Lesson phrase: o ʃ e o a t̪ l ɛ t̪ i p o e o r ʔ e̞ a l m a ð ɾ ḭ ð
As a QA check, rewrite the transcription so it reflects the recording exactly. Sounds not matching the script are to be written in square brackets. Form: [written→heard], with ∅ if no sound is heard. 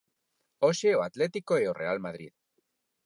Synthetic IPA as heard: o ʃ e o a t̪ l [ɛ→e] t̪ i [p→k] o e o r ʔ e̞ a l m a ð ɾ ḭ ð